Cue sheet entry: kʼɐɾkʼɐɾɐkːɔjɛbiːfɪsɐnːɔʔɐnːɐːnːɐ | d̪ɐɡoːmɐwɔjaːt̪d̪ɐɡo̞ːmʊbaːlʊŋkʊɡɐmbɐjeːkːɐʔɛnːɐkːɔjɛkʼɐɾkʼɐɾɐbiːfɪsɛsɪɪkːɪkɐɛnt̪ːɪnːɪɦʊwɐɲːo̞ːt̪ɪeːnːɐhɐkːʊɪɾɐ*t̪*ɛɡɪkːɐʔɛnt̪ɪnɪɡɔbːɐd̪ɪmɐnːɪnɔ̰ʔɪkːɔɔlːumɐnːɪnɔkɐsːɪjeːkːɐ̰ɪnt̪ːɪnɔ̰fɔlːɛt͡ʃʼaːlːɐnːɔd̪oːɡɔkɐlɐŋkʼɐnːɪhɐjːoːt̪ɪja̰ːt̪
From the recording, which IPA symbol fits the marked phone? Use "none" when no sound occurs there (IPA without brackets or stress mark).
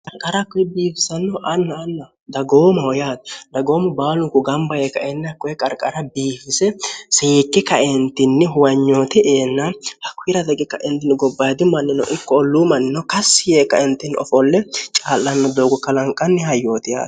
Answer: d̪